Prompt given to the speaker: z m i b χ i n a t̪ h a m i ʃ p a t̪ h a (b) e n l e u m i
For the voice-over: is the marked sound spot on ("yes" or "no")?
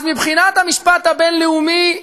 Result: yes